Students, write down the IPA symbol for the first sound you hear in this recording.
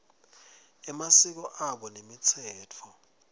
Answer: ɛ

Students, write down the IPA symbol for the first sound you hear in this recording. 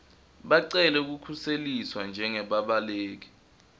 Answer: ɓ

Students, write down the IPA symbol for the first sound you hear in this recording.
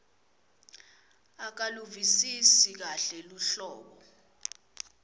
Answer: a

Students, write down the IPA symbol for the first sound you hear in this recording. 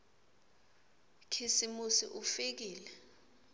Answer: kʰ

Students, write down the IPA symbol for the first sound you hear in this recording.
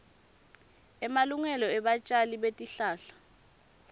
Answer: ɛ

